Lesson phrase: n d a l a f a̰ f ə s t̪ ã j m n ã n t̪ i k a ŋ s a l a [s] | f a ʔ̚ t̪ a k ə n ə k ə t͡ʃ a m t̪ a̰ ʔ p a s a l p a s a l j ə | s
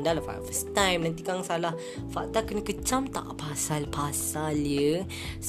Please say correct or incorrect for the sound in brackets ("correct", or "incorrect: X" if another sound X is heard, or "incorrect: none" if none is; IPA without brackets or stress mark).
incorrect: h